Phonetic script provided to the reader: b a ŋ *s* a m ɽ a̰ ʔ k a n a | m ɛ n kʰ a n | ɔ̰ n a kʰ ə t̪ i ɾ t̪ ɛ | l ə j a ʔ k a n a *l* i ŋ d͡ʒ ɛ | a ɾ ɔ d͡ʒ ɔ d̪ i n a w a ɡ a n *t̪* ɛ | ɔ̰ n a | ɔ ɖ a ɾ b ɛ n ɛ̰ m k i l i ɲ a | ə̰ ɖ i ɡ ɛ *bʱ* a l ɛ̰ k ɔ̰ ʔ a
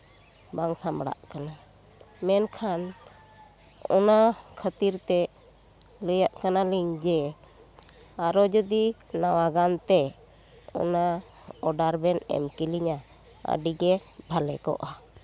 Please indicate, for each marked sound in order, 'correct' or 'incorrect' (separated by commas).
correct, correct, correct, correct